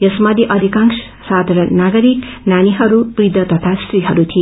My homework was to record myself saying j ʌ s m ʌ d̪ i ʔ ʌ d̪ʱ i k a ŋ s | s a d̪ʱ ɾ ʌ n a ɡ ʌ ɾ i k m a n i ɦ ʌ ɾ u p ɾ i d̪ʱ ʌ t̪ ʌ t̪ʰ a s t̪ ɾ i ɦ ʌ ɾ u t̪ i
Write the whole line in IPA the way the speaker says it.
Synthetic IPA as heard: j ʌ s m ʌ d̪ i ʔ ʌ d̪ʱ i k a ŋ s | s a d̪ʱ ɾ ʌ n a ɡ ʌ ɾ i k n a n i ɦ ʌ ɾ u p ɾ i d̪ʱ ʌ t̪ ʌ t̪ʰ a s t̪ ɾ i ɦ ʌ ɾ u t̪ʰ i